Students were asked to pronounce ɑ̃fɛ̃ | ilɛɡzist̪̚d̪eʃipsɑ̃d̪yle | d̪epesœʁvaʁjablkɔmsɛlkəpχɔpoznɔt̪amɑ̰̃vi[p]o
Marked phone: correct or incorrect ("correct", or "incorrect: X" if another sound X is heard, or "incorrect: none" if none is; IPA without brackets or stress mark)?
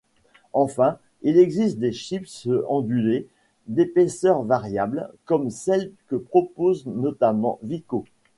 incorrect: k